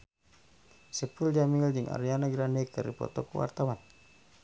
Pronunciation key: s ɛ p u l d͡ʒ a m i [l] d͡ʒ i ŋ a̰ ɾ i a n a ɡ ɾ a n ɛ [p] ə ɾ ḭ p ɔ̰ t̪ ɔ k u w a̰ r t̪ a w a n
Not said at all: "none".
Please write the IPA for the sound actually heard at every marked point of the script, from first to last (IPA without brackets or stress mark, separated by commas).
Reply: l, k